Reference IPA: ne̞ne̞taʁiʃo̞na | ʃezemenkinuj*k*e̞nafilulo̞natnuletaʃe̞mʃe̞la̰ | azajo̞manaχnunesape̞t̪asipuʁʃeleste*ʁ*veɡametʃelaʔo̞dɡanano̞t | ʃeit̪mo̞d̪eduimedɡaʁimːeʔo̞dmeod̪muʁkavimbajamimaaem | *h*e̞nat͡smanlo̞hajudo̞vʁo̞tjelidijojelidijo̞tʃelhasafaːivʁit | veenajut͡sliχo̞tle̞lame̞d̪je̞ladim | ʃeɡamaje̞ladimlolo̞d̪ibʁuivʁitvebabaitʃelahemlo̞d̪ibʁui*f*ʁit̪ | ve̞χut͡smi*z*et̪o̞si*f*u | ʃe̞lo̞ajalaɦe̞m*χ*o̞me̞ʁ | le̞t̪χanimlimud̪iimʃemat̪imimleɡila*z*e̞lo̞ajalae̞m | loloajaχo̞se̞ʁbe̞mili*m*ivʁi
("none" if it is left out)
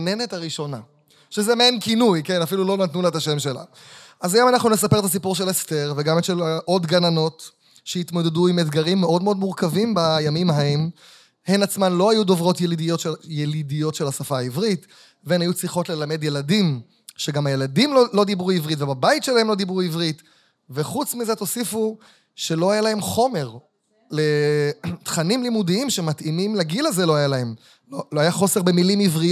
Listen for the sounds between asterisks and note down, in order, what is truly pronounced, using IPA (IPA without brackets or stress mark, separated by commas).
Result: k, ʁ, h, v, z, f, χ, z, m